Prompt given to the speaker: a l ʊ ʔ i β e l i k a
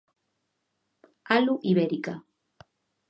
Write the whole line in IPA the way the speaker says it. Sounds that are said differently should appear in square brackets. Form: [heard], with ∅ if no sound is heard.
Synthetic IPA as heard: a l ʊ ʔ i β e [ɾ] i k a

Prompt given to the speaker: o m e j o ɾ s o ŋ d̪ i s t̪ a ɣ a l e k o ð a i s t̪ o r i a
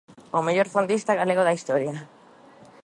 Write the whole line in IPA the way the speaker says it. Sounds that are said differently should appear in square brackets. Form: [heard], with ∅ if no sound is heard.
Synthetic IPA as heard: o m e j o ɾ [f] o [n] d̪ i s t̪ a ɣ a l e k o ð a i s t̪ o [ɾ] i a

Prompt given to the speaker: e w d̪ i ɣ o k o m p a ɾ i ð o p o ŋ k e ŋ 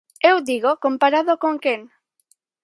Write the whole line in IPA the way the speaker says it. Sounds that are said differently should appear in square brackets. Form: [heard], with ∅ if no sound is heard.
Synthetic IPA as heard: e w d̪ i ɣ o k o m p a ɾ [a] ð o [k] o ŋ k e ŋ

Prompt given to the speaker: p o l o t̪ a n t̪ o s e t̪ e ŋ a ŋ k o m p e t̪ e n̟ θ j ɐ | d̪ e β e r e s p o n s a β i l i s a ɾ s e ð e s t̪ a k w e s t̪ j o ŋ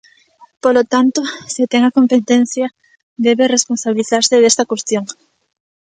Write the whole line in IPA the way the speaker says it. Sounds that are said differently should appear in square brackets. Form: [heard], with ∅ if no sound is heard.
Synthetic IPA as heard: p o l o t̪ a n t̪ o s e t̪ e ŋ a [∅] k o m p e t̪ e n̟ θ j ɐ | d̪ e β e r e s p o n s a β i l i [θ] a ɾ s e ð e s t̪ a k w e s t̪ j o ŋ

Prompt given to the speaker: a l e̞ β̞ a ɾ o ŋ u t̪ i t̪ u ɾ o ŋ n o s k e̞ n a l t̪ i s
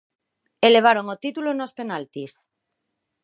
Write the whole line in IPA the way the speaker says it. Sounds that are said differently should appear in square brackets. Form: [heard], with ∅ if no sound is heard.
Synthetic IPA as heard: [e] l e̞ β̞ a ɾ o ŋ [o] t̪ i t̪ u [l] o [∅] n o s [p] e̞ n a l t̪ i s

